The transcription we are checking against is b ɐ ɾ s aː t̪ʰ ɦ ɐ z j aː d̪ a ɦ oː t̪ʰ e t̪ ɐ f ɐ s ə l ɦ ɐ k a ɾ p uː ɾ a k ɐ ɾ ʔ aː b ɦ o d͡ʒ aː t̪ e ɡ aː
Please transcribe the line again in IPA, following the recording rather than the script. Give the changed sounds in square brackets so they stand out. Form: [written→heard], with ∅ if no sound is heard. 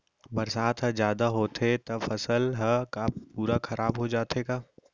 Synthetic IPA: b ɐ ɾ s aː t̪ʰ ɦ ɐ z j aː d̪ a ɦ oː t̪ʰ e t̪ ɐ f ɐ s ə l ɦ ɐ k a [ɾ→∅] p uː ɾ a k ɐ ɾ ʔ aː b ɦ o d͡ʒ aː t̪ e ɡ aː